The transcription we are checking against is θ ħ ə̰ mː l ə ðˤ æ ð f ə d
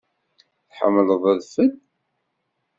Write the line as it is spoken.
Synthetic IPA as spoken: θ ħ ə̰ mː l ə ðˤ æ ð f ə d

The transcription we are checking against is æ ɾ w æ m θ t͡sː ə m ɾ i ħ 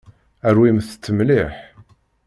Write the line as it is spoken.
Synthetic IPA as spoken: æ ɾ w i m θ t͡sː ə m l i ħ

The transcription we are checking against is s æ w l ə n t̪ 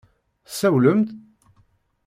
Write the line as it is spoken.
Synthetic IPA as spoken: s æ w l ə m t̪

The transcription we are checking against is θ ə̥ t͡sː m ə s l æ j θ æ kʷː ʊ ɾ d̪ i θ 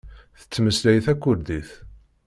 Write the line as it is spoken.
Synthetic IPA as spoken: θ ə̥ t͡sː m ə s l æ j θ æ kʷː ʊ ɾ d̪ i θ

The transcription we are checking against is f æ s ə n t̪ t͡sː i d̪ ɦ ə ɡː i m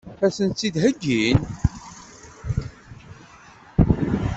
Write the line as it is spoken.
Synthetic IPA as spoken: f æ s ə n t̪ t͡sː i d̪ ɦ ə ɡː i n

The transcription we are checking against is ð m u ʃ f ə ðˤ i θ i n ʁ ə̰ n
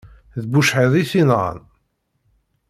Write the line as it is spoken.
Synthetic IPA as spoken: ð b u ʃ ħ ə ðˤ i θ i n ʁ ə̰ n

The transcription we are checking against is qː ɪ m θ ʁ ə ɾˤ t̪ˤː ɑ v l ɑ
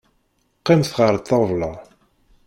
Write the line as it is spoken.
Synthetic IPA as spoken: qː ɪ m θ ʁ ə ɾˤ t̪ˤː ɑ v l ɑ

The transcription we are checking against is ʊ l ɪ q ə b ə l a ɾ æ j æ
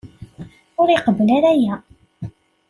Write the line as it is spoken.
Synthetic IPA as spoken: ʊ ɾ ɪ q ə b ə l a ɾ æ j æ

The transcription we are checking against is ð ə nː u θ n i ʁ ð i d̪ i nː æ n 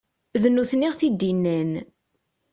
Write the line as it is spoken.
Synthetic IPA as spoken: ð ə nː u θ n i ʁ θ i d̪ i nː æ n

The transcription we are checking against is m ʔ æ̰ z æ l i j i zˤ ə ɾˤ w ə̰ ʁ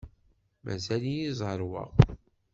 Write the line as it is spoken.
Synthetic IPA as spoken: m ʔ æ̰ z æ l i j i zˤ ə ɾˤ w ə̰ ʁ

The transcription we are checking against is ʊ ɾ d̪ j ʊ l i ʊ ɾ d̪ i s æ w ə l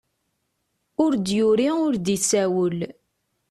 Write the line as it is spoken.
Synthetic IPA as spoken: ʊ ɾ d̪ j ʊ ɾ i ʊ ɾ d̪ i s æ w ə l

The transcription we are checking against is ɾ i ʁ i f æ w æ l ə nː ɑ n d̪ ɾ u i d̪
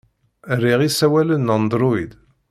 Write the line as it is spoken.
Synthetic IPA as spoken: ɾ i ʁ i s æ w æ l ə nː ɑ n d̪ ɾ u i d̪

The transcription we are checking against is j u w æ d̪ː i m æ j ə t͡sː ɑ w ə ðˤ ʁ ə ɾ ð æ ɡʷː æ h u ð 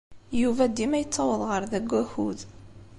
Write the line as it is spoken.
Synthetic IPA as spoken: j u v æ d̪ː i m æ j ə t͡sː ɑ w ə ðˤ ʁ ə ɾ ð æ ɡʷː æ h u ð

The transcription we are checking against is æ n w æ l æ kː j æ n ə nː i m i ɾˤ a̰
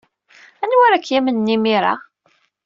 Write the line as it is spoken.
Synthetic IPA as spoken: æ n w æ ɾ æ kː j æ m ə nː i m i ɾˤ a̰

